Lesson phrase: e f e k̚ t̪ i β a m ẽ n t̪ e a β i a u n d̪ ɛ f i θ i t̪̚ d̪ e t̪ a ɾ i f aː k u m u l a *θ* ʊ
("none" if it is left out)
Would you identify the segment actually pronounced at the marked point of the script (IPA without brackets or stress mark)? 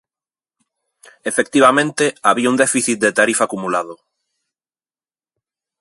ð